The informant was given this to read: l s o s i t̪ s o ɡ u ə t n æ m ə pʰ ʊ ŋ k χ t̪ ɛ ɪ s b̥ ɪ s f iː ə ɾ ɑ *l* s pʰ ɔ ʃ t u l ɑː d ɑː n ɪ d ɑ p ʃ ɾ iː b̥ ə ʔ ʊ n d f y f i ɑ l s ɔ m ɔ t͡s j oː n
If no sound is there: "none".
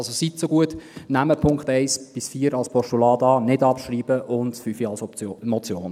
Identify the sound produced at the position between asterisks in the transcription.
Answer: l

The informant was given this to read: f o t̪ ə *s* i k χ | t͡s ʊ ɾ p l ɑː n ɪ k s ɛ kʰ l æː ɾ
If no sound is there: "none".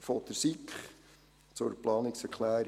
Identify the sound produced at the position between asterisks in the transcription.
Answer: s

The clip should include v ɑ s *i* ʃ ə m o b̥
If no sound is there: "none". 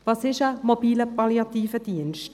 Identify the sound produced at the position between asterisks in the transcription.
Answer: ɪ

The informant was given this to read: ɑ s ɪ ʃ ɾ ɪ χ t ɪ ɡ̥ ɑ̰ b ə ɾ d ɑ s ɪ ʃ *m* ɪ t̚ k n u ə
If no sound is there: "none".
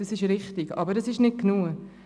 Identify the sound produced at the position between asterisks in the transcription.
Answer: n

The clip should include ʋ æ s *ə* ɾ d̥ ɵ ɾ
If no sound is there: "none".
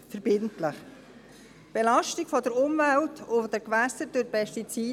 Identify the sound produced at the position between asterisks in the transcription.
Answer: ə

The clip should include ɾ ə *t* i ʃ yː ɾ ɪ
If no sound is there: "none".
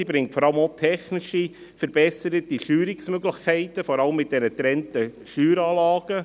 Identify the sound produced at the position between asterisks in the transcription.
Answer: t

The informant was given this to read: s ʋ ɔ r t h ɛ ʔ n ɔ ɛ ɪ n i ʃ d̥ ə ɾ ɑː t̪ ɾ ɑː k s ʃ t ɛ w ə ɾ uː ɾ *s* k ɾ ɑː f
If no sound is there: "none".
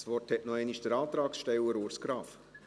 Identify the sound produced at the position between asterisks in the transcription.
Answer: s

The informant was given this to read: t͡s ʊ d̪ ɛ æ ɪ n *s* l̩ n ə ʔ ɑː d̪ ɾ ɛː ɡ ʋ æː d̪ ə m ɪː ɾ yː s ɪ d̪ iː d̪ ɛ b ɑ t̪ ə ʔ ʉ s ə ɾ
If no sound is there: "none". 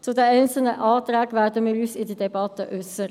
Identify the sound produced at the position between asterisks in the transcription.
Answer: s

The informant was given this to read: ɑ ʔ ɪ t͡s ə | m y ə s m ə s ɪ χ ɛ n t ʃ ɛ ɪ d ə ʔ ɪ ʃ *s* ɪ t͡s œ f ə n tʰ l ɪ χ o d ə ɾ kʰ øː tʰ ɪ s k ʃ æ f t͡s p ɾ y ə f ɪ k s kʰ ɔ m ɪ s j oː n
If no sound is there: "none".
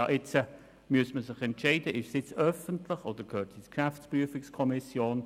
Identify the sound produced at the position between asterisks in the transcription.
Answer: s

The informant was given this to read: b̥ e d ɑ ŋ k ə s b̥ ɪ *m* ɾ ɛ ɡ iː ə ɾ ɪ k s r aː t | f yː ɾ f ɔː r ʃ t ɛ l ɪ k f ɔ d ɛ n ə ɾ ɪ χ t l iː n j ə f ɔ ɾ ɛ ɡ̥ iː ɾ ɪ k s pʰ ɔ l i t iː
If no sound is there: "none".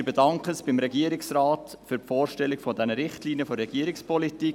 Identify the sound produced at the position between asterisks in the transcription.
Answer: m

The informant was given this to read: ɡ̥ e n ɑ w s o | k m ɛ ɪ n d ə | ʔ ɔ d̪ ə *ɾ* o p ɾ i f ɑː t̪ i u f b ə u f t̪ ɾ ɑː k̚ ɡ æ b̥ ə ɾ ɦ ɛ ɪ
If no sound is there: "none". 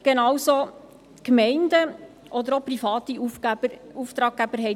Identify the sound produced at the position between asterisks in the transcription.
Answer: ɾ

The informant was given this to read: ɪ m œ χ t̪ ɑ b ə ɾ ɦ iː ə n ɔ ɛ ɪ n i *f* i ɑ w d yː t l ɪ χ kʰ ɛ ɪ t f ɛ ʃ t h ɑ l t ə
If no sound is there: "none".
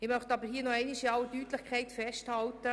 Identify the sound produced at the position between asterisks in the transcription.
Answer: ʃ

